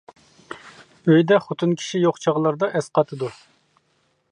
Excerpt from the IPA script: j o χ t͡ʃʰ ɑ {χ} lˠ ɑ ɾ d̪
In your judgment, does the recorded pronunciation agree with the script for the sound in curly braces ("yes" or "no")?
no